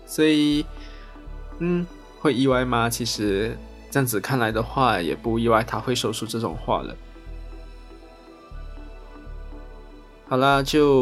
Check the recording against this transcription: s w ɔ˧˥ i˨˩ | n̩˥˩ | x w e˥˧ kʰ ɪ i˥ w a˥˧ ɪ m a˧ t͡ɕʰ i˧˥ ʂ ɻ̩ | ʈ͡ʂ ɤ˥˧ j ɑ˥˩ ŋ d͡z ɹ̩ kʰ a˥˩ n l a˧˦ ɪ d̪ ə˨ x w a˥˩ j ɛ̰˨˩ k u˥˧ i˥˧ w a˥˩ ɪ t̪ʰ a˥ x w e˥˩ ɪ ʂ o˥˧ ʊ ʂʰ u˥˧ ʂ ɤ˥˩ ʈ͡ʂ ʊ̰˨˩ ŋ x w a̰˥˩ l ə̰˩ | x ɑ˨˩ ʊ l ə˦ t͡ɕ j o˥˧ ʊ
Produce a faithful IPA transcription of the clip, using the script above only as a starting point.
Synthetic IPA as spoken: s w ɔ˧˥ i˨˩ | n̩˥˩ | x w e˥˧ ɪ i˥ w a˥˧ ɪ m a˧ t͡ɕʰ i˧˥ ʂ ɻ̩ | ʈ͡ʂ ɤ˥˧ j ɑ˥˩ ŋ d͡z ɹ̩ kʰ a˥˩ n l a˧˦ ɪ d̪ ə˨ x w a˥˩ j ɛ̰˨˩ p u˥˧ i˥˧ w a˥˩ ɪ t̪ʰ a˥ x w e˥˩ ɪ ʂ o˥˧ ʊ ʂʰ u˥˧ ʈ͡ʂ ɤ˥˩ ʈ͡ʂ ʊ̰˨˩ ŋ x w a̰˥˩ l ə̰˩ | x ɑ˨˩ ʊ l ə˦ t͡ɕ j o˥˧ ʊ